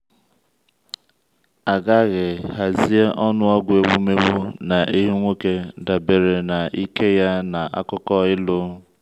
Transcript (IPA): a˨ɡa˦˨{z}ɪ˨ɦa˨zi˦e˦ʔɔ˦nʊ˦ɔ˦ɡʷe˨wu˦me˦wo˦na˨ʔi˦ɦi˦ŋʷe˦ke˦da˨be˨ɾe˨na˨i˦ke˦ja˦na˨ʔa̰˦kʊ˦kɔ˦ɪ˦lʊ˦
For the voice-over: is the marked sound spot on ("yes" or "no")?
no